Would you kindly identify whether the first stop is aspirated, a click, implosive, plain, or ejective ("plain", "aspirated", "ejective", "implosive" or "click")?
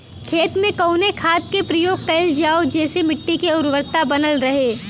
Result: aspirated